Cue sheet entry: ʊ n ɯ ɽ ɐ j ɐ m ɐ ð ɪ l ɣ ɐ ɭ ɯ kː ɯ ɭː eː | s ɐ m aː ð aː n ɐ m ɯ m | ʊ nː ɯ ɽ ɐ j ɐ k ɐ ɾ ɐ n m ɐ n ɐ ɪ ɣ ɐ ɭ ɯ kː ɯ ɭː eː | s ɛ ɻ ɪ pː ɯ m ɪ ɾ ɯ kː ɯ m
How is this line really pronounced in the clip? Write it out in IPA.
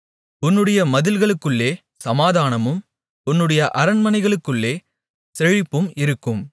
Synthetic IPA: ʊ nː ɯ ɽ ɐ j ɐ m ɐ ð ɪ l ɣ ɐ ɭ ɯ kː ɯ ɭː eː | s ɐ m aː ð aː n ɐ m ɯ m | ʊ nː ɯ ɽ ɐ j ɐ ʔ ɐ ɾ ɐ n m ɐ n ɐ ɪ ɣ ɐ ɭ ɯ kː ɯ ɭː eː | s ɛ ɻ ɪ pː ɯ m ɪ ɾ ɯ kː ɯ m